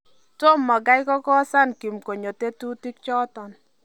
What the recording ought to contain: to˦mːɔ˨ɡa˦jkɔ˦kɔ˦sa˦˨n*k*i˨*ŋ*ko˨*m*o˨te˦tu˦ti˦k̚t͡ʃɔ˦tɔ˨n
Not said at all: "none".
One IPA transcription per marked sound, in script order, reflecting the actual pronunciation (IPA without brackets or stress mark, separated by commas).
k, m, ɲ